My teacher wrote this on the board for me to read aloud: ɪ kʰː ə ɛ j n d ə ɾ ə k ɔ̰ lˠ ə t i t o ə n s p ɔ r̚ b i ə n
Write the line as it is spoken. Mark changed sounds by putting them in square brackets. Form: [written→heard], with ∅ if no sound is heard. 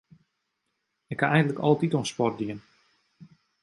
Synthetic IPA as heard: ɪ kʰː [ə→a] ɛ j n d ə [ɾ→l] ə k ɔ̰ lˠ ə t i t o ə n s p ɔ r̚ [b→d] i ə n